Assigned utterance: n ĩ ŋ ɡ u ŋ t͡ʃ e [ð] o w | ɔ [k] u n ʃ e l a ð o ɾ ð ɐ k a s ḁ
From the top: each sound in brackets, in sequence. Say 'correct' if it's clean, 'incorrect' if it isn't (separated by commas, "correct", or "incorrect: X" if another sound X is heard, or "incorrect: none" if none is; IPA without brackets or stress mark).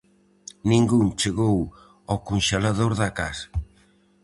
incorrect: ɣ, correct